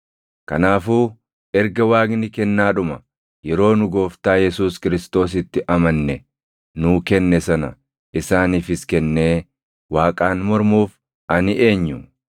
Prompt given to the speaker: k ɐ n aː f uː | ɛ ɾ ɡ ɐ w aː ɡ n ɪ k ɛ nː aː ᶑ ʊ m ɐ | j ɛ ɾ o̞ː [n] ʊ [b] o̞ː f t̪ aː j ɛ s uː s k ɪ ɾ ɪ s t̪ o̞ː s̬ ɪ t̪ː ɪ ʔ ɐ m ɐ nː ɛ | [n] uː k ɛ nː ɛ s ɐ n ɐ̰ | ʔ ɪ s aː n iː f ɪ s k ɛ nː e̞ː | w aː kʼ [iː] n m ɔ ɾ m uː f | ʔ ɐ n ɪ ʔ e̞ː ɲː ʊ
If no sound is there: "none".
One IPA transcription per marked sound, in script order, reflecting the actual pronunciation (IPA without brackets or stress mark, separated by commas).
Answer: n, ɡ, n, aː